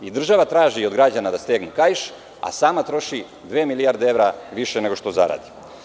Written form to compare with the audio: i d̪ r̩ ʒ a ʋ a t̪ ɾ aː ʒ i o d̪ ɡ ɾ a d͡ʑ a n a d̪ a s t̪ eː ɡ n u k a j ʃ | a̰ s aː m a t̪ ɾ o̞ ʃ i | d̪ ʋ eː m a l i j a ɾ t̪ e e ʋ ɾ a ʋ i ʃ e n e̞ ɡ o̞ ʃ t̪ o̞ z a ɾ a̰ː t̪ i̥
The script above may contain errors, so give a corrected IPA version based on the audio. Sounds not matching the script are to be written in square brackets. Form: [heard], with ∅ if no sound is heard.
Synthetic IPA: i d̪ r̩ ʒ a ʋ a t̪ ɾ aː ʒ i o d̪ ɡ ɾ a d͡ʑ a n a d̪ a s t̪ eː ɡ n u k a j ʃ | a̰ s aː m a t̪ ɾ o̞ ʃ i | d̪ ʋ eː m [i] l i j a ɾ [d̪] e e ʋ ɾ a ʋ i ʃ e n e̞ ɡ o̞ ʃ t̪ o̞ z a ɾ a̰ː [d̪] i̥

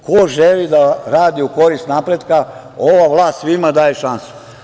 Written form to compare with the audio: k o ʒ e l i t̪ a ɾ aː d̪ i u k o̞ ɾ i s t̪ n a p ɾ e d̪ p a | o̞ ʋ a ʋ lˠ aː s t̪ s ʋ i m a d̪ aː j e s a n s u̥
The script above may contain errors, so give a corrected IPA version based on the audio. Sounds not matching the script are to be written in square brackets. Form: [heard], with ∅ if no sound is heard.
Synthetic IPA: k o ʒ e l i [d̪] a ɾ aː d̪ i u k o̞ ɾ i s t̪ n a p ɾ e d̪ [k] a | o̞ ʋ a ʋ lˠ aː s t̪ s ʋ i m a d̪ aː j e [ʃ] a n s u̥

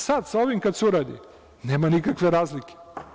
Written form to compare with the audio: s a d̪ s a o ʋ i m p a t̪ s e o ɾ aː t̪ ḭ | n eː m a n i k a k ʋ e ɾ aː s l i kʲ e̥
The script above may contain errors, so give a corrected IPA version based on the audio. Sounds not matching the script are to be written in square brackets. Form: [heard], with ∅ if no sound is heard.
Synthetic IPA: s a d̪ s a o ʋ i m [k] a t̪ s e [u] ɾ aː [d̪] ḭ | n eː m a n i k a k ʋ e ɾ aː [z] l i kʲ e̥

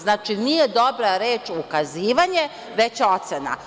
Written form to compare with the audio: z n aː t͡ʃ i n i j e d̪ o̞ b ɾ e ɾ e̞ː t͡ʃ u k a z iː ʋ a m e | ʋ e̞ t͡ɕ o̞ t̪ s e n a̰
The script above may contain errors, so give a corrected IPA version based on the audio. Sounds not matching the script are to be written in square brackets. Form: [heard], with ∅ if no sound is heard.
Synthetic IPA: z n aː t͡ʃ i n i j e d̪ o̞ b ɾ [a] ɾ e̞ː t͡ʃ u k a z iː ʋ a [ɲ] e | ʋ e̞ t͡ɕ o̞ t̪ s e n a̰

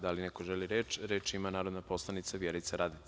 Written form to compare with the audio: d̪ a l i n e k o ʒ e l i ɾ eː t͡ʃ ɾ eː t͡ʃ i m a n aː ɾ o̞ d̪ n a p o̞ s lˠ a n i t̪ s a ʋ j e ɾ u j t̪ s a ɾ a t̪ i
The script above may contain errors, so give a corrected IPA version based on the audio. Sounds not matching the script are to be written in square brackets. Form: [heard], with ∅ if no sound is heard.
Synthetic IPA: d̪ a l i n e k o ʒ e l i ɾ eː t͡ʃ ɾ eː t͡ʃ i m a n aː ɾ o̞ d̪ n a p o̞ s lˠ a n i t̪ s a ʋ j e ɾ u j t̪ s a ɾ a [d̪] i

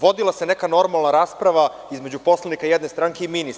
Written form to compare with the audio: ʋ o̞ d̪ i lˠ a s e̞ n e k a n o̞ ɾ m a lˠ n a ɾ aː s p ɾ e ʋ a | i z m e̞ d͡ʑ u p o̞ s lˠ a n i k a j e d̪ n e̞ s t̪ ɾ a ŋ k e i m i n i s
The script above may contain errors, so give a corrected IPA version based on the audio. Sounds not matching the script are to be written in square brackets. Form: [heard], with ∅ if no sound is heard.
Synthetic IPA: ʋ o̞ d̪ i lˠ a s e̞ n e k a n o̞ ɾ m a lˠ n a ɾ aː s p ɾ [a] ʋ a | i z m e̞ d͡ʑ u p o̞ s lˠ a n i k a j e d̪ n e̞ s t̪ ɾ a ŋ k e i m i n i s

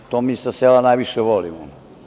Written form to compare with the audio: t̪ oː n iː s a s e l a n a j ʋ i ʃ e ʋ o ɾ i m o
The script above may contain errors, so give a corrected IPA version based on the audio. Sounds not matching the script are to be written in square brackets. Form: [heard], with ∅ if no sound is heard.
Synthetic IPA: t̪ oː [m] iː s a s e l a n a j ʋ i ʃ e ʋ o [l] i m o

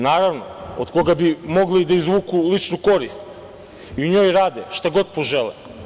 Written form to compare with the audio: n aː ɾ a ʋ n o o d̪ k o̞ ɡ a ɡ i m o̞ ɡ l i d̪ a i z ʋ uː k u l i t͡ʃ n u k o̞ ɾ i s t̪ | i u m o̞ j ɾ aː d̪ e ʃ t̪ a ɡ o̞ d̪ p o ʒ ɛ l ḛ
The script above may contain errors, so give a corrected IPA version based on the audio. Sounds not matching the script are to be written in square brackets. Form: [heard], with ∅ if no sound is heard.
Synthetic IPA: n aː ɾ a ʋ n o o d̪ k o̞ ɡ a [b] i m o̞ ɡ l i d̪ a i z ʋ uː k u l i t͡ʃ n u k o̞ ɾ i s t̪ | i u [ɲ] o̞ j ɾ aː d̪ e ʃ t̪ a ɡ o̞ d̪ p o ʒ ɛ l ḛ

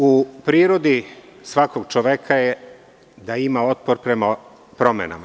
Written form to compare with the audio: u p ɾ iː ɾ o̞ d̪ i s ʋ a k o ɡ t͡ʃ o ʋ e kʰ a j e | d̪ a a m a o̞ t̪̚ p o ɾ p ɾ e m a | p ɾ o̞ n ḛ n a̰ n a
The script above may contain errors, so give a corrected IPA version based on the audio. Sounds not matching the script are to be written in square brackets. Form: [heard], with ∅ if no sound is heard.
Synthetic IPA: u p ɾ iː ɾ o̞ d̪ i s ʋ a k o ɡ t͡ʃ o ʋ e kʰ a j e | d̪ a [i] m a o̞ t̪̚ p o ɾ p ɾ e m a | p ɾ o̞ [m] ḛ n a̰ [m] a

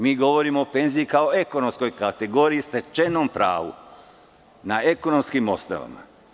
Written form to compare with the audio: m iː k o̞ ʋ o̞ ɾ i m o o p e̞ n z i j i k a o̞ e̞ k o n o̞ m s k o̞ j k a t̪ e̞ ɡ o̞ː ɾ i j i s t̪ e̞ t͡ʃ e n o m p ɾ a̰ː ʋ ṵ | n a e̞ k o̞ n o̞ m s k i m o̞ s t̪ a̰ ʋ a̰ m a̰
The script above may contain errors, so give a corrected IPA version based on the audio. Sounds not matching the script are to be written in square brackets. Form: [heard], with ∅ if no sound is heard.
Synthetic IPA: m iː [ɡ] o̞ ʋ o̞ ɾ i m o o p e̞ n z i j i k a o̞ e̞ k o n o̞ m s k o̞ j k a t̪ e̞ ɡ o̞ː ɾ i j i s t̪ e̞ t͡ʃ e n o m p ɾ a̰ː ʋ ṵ | n a e̞ k o̞ n o̞ m s k i m o̞ s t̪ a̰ ʋ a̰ m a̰

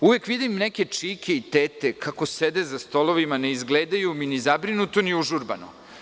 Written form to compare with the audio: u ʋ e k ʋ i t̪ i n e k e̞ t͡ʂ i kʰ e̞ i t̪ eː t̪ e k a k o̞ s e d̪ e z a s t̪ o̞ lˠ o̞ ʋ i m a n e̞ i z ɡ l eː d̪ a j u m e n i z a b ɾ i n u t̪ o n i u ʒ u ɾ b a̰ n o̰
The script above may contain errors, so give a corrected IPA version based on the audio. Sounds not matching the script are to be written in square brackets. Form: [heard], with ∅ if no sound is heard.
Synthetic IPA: u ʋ e k ʋ i [d̪] i n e k e̞ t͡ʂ i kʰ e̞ i t̪ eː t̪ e k a k o̞ s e d̪ e z a s t̪ o̞ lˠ o̞ ʋ i m a n e̞ i z ɡ l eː d̪ a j u m [i] n i z a b ɾ i n u t̪ o n i u ʒ u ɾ b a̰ n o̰

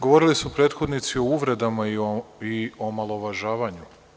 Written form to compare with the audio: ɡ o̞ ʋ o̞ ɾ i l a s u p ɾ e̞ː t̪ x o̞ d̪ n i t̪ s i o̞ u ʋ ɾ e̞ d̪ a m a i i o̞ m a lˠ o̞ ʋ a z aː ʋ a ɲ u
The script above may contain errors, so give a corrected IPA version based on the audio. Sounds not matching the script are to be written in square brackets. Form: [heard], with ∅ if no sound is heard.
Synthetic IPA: ɡ o̞ ʋ o̞ ɾ i l [i] s u p ɾ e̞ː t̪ x o̞ d̪ n i t̪ s i o̞ u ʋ ɾ e̞ d̪ a m a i i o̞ m a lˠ o̞ ʋ a [ʒ] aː ʋ a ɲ u

